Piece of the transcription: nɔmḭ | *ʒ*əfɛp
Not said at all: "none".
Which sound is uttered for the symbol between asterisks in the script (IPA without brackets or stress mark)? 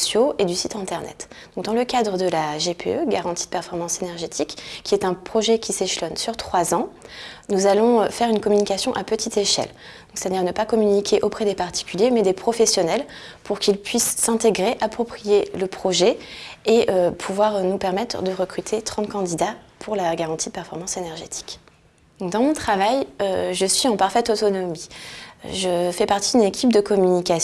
ʒ